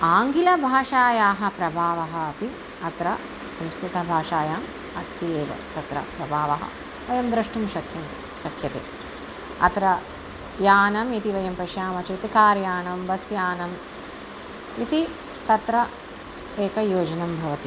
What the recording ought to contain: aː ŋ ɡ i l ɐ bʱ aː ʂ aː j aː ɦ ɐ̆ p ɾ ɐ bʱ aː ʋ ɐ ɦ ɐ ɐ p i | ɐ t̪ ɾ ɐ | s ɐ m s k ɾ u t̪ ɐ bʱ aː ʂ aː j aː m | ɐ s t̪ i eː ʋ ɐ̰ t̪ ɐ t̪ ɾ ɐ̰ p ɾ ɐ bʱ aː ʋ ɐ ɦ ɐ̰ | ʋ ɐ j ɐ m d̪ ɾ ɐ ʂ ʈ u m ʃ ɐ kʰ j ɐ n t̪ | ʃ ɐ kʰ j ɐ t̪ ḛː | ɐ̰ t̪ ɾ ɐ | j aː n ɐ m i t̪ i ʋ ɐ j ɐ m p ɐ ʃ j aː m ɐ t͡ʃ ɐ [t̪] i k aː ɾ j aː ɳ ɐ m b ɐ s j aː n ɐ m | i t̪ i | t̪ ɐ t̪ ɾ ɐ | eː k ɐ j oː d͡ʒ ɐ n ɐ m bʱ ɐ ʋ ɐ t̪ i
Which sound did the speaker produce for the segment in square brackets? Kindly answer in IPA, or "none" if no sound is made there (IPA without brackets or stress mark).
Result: t̪